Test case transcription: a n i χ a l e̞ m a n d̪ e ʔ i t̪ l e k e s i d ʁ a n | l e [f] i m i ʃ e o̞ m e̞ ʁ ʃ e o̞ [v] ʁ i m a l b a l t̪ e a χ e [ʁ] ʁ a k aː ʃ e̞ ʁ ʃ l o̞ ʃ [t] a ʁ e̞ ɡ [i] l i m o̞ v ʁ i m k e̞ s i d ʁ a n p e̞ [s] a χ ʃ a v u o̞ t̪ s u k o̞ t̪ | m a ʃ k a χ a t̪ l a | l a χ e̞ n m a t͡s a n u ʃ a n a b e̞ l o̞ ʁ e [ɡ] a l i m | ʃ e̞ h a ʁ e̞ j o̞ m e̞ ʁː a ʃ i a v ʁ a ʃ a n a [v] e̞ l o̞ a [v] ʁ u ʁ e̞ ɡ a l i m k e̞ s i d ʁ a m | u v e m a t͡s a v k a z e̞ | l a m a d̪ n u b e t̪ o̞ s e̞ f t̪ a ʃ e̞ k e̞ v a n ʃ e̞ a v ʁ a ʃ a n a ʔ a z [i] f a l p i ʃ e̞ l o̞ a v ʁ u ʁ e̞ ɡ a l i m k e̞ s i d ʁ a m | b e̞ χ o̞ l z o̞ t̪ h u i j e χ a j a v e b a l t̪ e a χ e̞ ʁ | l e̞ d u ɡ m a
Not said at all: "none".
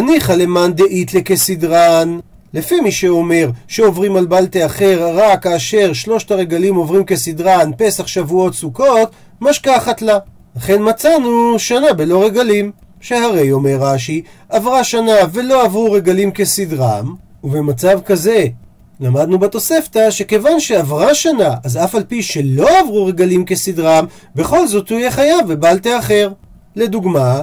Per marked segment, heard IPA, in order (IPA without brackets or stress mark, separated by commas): f, v, ʁ, t, a, s, ɡ, v, v, a